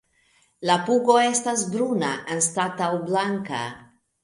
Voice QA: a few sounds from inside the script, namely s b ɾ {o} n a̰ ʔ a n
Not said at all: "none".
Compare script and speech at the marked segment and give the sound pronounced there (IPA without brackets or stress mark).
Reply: u